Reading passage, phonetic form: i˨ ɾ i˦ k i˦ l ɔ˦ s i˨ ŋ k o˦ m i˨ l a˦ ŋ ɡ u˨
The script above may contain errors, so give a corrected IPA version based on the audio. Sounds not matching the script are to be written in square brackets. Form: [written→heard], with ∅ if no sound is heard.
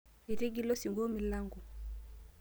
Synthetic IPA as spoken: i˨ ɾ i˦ [k→ɡ] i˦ l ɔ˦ s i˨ ŋ [k→ɡ] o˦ m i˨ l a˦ ŋ ɡ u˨